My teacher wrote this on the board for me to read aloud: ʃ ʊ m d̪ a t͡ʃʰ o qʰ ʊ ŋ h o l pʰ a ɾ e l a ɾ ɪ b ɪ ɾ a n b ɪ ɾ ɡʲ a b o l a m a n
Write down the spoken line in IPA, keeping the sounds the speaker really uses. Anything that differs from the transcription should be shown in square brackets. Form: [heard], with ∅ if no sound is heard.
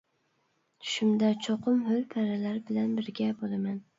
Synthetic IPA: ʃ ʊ m d̪ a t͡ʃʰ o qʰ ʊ [m] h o l pʰ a ɾ [a] l a ɾ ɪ b ɪ [l] a n b ɪ ɾ ɡʲ a b o l a m a n